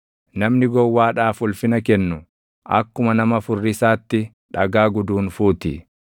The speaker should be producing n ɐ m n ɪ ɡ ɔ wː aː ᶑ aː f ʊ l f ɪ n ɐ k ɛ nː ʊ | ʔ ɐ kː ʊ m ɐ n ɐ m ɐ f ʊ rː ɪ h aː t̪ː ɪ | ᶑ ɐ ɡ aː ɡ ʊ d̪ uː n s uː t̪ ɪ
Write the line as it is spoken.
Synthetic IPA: n ɐ m n ɪ ɡ ɔ wː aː ᶑ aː f ʊ l f ɪ n ɐ k ɛ nː ʊ | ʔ ɐ kː ʊ m ɐ n ɐ m ɐ f ʊ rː ɪ s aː t̪ː ɪ | ᶑ ɐ ɡ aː ɡ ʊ d̪ uː n f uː t̪ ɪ